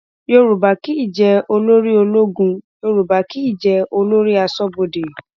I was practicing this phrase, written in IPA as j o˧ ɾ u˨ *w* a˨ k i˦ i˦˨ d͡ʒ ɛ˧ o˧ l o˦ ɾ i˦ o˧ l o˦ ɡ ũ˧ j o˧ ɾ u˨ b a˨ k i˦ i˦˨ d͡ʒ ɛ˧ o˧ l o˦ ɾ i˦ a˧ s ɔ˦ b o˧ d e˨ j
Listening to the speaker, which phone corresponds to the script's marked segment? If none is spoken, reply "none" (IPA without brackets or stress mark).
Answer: b